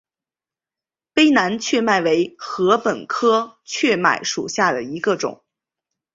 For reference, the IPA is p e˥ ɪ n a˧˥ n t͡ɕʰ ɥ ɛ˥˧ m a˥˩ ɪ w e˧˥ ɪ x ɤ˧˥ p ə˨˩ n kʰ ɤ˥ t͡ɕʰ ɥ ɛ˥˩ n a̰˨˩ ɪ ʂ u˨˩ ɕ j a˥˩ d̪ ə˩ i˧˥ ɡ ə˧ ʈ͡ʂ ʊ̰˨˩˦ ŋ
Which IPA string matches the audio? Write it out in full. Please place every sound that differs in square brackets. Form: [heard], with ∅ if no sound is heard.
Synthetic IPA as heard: p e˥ ɪ n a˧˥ n t͡ɕʰ ɥ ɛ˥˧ m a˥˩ ɪ w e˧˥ ɪ x ɤ˧˥ p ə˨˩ n kʰ ɤ˥ t͡ɕʰ ɥ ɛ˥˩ [m] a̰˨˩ ɪ ʂ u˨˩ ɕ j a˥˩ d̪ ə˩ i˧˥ ɡ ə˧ ʈ͡ʂ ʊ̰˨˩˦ ŋ